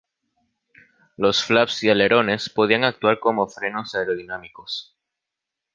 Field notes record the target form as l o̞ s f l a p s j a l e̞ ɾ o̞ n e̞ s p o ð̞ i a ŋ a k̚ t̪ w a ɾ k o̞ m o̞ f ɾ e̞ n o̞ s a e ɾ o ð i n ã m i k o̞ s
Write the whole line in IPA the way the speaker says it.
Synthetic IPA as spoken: l o̞ s f l a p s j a l e̞ ɾ o̞ n e̞ s p o ð̞ i a ŋ a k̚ t̪ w a ɾ k o̞ m o̞ f ɾ e̞ n o̞ s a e ɾ o ð i n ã m i k o̞ s

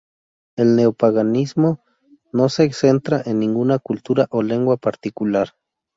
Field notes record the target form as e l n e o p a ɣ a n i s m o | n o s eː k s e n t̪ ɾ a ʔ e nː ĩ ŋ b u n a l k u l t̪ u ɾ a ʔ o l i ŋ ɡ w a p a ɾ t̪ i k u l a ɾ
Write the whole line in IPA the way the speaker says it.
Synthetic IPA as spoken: e l n e o p a ɣ a n i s m o | n o s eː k s e n t̪ ɾ a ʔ e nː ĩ ŋ ɡ u n a k u l t̪ u ɾ a ʔ o l e ŋ ɡ w a p a ɾ t̪ i k u l a ɾ

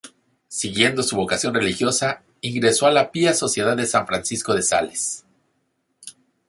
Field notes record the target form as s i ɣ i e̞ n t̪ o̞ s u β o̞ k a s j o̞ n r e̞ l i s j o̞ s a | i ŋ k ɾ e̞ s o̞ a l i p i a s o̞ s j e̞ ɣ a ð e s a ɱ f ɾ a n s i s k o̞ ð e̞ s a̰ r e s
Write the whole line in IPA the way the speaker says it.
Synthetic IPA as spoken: s i ɣ j e̞ n d̪ o̞ s u β o̞ k a s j o̞ n r e̞ l i x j o̞ s a | i ŋ ɡ ɾ e̞ s o̞ a l a p i a s o̞ s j e̞ ð a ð e s a ɱ f ɾ a n s i s k o̞ ð e̞ s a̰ l e s

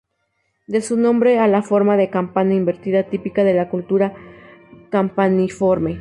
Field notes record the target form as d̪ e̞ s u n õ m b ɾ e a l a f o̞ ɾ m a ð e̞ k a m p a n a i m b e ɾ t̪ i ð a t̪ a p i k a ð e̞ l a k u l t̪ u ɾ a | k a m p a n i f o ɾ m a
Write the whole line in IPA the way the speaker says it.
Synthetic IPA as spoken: d̪ e̞ s u n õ m b ɾ e a l a f o̞ ɾ m a ð e̞ k a m p a n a i m b e ɾ t̪ i ð a t̪ i p i k a ð e̞ l a k u l t̪ u ɾ a | k a m p a n i f o ɾ m e

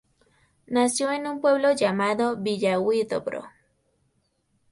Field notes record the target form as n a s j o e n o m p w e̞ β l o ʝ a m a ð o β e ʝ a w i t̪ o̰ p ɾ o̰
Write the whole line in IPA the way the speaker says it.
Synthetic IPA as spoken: n a s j o e n u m p w e̞ β l o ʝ a m a ð o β i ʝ a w i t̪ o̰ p ɾ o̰

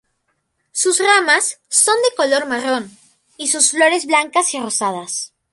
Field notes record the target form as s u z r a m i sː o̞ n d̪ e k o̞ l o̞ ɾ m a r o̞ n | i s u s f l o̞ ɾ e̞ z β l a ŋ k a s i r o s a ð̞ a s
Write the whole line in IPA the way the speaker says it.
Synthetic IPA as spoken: s u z r a m a sː o̞ n d̪ e k o̞ l o̞ ɾ m a r o̞ n | i s u s f l o̞ ɾ e̞ z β l a ŋ k a s i r o s a ð̞ a s

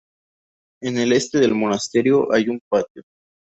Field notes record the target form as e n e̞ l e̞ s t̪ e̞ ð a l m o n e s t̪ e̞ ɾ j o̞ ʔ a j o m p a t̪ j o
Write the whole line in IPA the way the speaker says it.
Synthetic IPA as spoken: e n e̞ l e̞ s t̪ e̞ ð e l m o n a s t̪ e̞ ɾ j o̞ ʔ a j u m p a t̪ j o

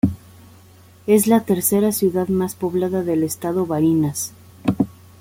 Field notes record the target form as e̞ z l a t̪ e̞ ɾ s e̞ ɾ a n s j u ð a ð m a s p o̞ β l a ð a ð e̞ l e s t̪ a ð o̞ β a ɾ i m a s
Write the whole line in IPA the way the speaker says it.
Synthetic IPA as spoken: e̞ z l a t̪ e̞ ɾ s e̞ ɾ a s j u ð a ð m a s p o̞ β l a ð a ð e̞ l e s t̪ a ð o̞ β a ɾ i n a s

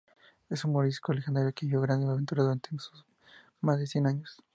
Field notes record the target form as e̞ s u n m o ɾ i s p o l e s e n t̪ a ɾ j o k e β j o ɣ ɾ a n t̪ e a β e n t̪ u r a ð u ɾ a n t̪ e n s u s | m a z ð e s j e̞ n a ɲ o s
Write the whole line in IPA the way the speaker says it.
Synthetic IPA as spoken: e̞ s u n m o ɾ i s k o l e x e n d̪ a ɾ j o k e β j o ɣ ɾ a n d̪ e a β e n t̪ u ɾ a ð u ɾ a n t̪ e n s u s | m a z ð e s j e̞ n a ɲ o s

